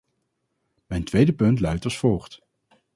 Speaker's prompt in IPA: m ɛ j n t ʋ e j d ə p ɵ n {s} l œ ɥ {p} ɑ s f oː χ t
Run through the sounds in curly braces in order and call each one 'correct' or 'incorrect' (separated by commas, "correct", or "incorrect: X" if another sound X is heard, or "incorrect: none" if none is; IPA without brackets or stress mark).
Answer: incorrect: t, incorrect: t